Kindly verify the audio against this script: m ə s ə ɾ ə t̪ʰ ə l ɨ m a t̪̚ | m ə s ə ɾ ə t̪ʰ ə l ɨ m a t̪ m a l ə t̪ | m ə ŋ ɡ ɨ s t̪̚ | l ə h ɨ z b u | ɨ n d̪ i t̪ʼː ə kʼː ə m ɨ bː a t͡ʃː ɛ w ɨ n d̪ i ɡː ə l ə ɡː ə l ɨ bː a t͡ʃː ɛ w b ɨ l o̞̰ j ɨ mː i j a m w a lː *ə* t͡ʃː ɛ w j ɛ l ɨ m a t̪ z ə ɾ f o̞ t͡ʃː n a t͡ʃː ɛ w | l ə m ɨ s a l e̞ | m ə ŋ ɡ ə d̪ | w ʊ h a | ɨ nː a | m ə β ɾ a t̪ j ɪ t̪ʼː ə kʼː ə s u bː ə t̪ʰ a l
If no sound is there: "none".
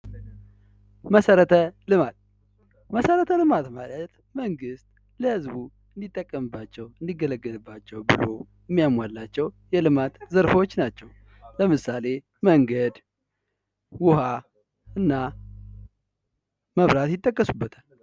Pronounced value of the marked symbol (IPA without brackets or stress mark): a